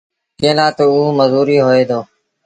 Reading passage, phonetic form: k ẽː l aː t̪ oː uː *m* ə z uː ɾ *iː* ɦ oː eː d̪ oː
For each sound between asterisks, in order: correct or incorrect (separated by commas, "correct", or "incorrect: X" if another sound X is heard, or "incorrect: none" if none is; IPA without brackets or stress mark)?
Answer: correct, correct